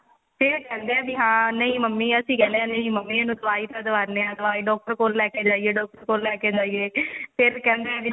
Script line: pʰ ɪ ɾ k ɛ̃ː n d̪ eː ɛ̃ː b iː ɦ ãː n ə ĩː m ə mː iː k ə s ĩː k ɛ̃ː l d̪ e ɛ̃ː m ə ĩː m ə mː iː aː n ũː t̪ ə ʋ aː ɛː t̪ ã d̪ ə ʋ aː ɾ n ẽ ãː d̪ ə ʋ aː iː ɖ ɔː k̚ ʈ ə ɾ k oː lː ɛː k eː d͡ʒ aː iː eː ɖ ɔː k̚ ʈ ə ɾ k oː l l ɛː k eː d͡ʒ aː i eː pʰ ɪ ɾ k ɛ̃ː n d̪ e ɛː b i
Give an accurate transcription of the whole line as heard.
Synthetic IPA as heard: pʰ ɪ ɾ k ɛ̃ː n d̪ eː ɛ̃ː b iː ɦ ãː n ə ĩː m ə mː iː ə s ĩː k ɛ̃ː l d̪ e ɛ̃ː n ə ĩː m ə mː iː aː n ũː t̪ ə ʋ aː iː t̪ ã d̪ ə ʋ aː ɾ n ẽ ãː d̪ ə ʋ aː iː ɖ ɔː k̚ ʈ ə ɾ k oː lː ɛː k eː d͡ʒ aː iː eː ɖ ɔː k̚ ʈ ə ɾ k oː l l ɛː k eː d͡ʒ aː i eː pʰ ɪ ɾ k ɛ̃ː n d̪ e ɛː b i